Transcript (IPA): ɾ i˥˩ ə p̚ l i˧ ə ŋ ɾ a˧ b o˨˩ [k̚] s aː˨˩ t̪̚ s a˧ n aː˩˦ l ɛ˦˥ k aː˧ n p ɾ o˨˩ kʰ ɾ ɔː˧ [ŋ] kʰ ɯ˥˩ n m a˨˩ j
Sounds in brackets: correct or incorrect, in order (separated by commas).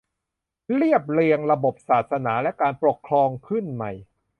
incorrect, correct